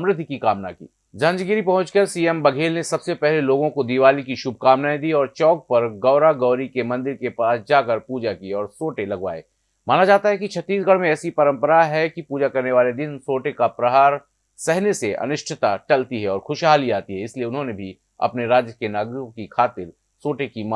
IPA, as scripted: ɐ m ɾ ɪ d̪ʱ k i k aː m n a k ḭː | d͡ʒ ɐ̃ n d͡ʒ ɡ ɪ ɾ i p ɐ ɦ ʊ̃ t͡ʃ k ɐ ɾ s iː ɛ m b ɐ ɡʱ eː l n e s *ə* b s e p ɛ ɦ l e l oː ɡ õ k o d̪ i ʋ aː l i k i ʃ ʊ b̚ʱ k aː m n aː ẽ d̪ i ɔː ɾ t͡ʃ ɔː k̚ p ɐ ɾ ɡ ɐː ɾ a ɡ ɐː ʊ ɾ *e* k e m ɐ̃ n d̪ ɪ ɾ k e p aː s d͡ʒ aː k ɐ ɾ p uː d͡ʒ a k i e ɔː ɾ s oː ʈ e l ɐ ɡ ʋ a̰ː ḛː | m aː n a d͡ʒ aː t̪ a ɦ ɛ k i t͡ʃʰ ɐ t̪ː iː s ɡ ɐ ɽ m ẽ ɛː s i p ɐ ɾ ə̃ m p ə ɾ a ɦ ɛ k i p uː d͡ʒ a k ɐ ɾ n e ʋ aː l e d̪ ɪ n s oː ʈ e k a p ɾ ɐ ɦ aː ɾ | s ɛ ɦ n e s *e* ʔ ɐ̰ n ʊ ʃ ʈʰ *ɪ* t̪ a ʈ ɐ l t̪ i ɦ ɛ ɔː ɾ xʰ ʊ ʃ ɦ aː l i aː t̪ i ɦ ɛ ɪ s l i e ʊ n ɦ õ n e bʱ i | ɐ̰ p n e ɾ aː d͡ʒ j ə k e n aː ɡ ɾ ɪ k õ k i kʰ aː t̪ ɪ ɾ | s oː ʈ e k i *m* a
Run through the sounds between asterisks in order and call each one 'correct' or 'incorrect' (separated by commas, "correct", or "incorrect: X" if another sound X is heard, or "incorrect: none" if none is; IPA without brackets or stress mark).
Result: incorrect: ɐ, incorrect: i, correct, correct, correct